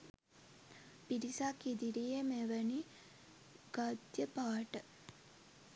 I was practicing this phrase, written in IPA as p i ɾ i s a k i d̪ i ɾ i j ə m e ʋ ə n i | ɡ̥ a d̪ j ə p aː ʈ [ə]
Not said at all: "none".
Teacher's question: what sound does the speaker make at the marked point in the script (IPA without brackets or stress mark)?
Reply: ə